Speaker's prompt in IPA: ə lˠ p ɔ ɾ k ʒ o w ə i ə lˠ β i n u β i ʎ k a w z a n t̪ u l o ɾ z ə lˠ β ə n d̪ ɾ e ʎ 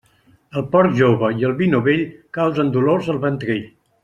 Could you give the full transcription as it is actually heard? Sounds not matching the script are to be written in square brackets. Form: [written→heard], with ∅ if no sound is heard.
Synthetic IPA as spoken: ə lˠ p ɔ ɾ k ʒ o [w→β] ə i ə lˠ β i n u β [i→e] ʎ k a w z [a→ə] n [t̪→d̪] u l o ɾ z ə lˠ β ə n [d̪→t̪] ɾ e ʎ